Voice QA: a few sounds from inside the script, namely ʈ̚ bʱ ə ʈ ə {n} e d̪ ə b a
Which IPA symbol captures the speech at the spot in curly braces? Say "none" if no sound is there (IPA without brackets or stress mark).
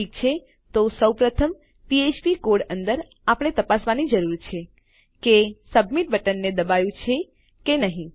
nː